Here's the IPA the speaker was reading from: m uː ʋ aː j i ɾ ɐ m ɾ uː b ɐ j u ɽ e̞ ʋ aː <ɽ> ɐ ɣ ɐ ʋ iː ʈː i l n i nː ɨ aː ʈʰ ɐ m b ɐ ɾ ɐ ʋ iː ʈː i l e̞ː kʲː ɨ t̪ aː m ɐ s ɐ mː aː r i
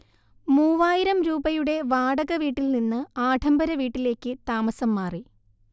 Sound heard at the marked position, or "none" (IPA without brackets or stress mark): ɽ